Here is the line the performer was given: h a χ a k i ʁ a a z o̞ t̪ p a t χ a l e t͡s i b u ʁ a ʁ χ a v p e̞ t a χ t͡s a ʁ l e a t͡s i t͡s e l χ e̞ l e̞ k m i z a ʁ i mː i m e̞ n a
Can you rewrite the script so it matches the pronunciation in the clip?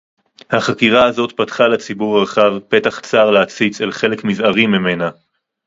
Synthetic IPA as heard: h a χ a k i ʁ a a z o̞ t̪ p a t χ a l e t͡s i b u ʁ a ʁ χ a v p e̞ t a χ t͡s a ʁ l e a t͡s i t͡s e l χ e̞ l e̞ k m i z a ʁ i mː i m e̞ n a